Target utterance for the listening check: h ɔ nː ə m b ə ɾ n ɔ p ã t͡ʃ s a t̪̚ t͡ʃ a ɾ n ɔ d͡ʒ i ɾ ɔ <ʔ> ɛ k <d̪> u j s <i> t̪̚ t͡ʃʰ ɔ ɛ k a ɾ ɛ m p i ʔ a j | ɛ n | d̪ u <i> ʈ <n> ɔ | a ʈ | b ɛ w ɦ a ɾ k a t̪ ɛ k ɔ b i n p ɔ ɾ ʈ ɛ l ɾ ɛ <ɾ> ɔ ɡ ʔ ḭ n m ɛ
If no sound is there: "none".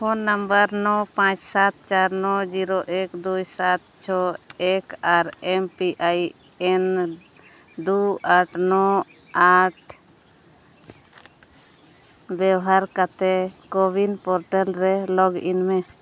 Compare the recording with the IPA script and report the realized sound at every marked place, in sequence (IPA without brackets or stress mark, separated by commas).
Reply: ʔ, d̪, a, a, n, l